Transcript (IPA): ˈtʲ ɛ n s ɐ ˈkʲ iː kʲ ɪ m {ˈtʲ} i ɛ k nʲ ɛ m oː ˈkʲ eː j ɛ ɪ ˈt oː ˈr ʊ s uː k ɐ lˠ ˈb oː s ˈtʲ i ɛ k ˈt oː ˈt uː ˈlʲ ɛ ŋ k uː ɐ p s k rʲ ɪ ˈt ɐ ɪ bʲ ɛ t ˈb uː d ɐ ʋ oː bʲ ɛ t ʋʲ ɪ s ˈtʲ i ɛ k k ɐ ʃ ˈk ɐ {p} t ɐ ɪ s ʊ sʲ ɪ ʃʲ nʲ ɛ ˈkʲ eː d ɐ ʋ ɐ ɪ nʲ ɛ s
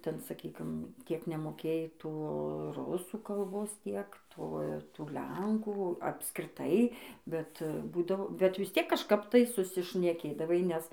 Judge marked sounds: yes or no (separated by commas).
yes, yes